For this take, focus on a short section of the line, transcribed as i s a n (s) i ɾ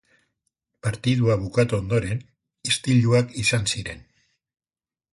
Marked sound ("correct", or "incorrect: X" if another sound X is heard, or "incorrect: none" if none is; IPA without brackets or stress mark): correct